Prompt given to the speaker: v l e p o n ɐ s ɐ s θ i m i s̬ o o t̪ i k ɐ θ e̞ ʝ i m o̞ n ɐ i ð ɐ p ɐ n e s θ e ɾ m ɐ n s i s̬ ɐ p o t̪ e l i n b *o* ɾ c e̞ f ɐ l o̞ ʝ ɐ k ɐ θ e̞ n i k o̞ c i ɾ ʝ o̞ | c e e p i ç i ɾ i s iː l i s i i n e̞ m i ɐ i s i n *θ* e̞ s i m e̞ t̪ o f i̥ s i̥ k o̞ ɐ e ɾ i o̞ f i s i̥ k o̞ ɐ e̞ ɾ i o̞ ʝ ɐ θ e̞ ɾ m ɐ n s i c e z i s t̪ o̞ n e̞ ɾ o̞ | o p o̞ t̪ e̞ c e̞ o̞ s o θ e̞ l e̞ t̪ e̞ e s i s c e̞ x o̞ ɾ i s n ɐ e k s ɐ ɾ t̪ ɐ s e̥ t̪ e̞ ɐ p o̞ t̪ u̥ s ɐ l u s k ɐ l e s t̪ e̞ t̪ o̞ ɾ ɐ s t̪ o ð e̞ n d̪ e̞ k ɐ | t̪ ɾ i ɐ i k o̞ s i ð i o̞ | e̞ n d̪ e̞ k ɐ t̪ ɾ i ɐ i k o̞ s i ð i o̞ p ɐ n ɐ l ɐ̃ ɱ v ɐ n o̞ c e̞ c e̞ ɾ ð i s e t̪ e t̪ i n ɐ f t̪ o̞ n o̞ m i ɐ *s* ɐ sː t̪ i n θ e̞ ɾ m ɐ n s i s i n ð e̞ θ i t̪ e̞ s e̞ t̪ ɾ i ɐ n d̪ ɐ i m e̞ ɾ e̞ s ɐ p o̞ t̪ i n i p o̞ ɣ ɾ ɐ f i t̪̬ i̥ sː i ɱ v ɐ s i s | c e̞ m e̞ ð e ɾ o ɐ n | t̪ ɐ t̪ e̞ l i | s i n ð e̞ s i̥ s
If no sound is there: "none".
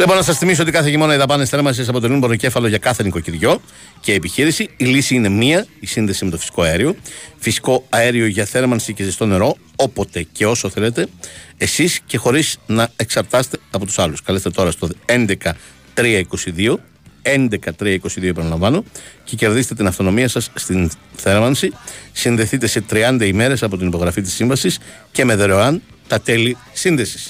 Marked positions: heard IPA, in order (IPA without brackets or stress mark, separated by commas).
o, ð, s